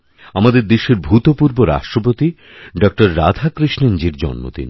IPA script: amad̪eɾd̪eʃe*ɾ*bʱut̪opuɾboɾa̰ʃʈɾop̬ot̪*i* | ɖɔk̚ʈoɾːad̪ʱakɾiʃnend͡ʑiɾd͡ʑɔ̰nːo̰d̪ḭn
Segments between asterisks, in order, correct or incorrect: correct, correct

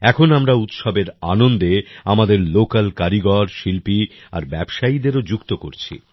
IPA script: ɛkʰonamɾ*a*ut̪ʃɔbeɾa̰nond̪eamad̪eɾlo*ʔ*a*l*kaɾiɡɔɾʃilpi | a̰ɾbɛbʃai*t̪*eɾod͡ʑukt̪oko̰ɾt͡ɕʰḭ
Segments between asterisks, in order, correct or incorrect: correct, incorrect: k, correct, incorrect: d̪

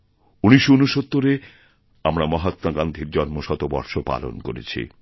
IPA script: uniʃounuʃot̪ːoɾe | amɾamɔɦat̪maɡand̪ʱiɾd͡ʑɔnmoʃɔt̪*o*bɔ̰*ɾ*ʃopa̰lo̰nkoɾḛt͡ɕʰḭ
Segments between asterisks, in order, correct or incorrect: correct, correct

